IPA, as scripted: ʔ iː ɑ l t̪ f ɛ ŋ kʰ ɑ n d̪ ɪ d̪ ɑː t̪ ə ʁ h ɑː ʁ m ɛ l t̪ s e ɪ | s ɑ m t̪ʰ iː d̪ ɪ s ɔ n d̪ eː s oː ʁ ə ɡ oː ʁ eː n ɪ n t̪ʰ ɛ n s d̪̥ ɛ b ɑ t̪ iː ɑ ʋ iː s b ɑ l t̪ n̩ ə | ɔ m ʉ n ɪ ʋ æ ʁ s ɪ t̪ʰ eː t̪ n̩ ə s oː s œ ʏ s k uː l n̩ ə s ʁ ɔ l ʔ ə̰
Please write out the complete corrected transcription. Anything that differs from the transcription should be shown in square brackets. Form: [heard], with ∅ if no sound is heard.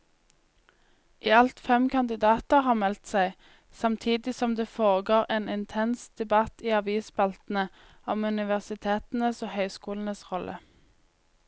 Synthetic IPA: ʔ iː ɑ l t̪ f ɛ [m] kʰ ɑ n d̪ ɪ d̪ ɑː t̪ ə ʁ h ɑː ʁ m ɛ l t̪ s [æ] ɪ | s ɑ m t̪ʰ iː d̪ ɪ s ɔ [m] d̪ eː [f] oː ʁ ə ɡ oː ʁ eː n ɪ n t̪ʰ ɛ n s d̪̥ ɛ b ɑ t̪ iː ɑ ʋ iː s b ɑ l t̪ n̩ ə | ɔ m ʉ n ɪ ʋ æ ʁ s ɪ t̪ʰ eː t̪ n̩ ə s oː [h] œ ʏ s k uː l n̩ ə s ʁ ɔ l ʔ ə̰